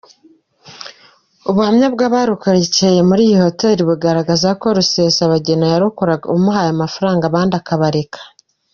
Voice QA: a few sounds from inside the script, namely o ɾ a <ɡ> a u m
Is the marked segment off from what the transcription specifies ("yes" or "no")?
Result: no